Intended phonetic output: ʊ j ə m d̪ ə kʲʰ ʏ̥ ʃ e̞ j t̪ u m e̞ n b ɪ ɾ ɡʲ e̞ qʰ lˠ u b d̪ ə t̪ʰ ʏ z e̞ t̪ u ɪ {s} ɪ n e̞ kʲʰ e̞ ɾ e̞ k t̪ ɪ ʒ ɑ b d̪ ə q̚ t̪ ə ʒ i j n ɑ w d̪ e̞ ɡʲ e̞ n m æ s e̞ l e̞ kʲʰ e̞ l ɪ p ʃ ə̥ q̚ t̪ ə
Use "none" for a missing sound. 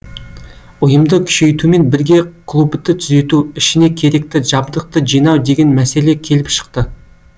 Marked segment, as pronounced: ʃ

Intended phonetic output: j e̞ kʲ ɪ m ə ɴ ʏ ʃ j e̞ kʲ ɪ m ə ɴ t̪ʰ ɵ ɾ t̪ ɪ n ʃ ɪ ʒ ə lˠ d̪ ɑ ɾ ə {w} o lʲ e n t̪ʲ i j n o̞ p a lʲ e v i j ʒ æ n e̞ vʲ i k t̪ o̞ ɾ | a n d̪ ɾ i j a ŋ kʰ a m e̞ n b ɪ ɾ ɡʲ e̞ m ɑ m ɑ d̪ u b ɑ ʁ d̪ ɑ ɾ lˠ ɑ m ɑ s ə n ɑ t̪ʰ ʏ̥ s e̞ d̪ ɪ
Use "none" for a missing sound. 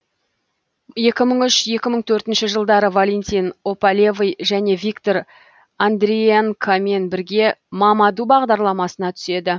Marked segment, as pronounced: v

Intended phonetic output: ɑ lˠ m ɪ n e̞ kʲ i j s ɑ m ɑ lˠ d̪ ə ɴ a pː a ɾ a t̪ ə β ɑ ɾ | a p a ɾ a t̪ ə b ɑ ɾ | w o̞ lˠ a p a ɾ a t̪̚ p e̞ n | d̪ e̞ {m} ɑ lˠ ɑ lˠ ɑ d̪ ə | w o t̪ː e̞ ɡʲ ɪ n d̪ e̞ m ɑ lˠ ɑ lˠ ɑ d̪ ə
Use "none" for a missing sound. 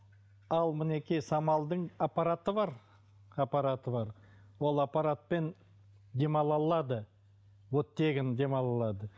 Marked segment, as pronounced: m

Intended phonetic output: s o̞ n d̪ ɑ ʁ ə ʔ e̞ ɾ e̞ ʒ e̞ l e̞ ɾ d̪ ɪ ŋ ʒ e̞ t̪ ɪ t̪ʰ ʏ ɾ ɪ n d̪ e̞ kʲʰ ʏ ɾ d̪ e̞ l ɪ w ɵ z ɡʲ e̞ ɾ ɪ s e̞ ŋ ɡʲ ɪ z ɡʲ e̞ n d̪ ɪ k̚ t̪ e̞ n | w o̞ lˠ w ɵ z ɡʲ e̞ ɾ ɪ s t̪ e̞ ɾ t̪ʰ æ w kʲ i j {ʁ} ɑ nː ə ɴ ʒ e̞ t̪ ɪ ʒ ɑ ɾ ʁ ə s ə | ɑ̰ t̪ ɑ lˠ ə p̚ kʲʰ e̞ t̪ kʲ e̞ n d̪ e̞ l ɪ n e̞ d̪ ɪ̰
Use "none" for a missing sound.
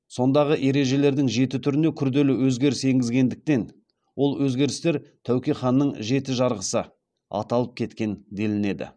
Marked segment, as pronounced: χ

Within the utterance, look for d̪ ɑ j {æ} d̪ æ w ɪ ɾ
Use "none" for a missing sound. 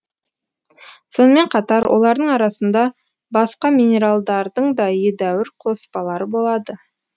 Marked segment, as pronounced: e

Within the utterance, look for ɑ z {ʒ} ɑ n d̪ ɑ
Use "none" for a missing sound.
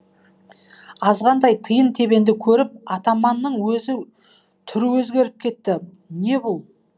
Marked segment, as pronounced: ʁ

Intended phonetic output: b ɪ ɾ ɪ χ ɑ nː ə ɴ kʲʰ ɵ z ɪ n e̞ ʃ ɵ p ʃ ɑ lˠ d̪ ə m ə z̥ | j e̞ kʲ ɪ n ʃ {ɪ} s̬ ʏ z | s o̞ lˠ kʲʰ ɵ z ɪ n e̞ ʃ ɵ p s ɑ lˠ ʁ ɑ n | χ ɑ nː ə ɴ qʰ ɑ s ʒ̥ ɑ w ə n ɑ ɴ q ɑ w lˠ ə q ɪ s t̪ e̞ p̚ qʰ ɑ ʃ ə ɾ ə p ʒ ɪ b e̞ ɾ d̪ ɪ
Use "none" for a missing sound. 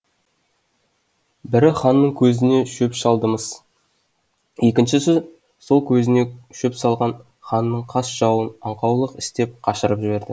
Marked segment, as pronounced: ɪ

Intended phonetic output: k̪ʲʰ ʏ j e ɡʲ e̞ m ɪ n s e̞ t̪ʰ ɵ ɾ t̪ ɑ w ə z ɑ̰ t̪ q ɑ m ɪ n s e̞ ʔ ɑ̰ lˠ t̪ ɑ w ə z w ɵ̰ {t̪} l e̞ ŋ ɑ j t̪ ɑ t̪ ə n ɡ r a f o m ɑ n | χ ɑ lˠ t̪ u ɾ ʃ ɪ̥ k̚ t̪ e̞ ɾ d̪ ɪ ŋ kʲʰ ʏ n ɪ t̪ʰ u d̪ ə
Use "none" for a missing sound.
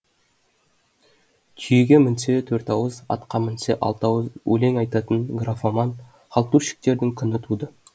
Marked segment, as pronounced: none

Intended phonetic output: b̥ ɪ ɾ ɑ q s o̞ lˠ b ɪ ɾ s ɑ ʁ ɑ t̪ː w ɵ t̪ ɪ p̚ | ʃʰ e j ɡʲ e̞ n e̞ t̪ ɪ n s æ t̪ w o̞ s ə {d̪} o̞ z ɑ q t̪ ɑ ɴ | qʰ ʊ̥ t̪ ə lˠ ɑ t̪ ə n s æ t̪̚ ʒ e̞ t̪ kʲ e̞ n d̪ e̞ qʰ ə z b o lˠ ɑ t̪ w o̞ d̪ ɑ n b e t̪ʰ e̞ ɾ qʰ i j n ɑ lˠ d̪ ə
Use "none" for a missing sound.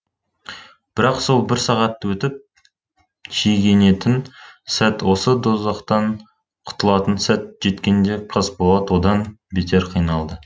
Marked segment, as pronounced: d̪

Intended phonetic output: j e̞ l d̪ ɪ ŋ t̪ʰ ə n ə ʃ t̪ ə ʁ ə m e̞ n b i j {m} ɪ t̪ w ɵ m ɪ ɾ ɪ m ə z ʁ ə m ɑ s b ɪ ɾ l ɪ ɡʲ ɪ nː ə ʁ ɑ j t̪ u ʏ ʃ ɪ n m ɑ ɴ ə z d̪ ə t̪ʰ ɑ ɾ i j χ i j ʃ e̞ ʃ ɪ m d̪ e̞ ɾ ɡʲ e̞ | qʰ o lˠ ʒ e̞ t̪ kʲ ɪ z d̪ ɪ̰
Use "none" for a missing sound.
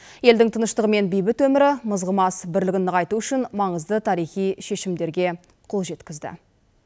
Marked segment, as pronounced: b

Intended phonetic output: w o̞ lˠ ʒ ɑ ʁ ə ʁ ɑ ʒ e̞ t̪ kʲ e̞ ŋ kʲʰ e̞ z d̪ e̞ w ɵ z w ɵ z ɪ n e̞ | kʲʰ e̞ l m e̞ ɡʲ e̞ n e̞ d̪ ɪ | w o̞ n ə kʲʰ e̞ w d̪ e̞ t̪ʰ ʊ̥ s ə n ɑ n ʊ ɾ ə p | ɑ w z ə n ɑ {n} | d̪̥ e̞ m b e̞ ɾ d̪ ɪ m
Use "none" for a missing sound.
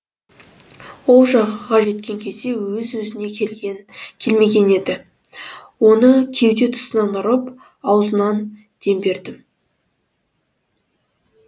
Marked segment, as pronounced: n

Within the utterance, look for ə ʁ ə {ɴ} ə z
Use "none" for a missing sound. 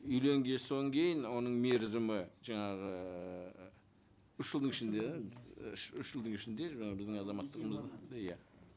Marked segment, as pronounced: m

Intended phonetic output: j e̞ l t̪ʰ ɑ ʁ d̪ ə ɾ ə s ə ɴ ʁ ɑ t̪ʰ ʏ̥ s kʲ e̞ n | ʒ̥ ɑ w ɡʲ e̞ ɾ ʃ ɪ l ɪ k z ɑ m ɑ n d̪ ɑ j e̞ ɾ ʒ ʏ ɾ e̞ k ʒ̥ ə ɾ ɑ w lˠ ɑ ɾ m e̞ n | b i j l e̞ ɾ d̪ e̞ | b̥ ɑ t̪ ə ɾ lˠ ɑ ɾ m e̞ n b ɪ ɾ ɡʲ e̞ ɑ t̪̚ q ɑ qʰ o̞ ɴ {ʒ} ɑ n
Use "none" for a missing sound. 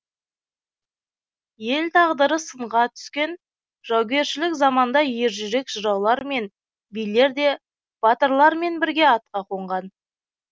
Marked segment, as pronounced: ʁ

